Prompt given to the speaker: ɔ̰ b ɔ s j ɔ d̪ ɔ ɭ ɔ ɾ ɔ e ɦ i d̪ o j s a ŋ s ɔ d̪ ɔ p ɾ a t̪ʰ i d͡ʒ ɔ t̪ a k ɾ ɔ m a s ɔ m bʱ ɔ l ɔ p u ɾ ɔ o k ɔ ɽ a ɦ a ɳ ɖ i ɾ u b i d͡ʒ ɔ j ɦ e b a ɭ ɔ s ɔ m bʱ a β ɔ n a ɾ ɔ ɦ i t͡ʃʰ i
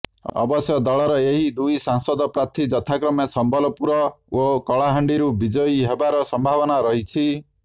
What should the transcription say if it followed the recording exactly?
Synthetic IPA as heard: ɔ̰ b ɔ s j ɔ d̪ ɔ ɭ ɔ ɾ ɔ e ɦ i d̪ u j s a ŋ s ɔ d̪ ɔ p ɾ a t̪ʰ i d͡ʒ ɔ t̪ʰ a k ɾ ɔ m e s ɔ m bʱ ɔ l ɔ p u ɾ ɔ o k ɔ ɭ a ɦ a ɳ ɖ i ɾ u b i d͡ʒ ɔ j ɦ e b a ɾ ɔ s ɔ m bʱ a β ɔ n a ɾ ɔ ɦ i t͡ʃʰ i